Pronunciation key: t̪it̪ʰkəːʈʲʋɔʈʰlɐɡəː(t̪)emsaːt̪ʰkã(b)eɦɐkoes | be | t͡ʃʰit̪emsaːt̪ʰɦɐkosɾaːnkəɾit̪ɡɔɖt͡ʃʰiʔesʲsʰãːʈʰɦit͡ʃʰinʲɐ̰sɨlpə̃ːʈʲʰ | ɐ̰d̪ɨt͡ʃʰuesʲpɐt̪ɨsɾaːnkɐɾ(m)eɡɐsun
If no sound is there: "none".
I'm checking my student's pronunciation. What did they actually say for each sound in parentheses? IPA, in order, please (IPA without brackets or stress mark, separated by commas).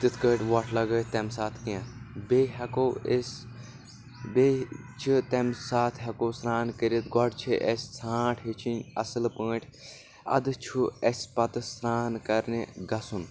t̪, b, n